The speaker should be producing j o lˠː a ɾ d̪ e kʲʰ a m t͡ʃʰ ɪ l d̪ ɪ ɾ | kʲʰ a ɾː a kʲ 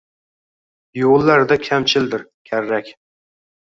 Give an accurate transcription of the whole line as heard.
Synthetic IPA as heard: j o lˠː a ɾ d̪ a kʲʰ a m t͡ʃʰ ɪ l d̪ ɪ ɾ | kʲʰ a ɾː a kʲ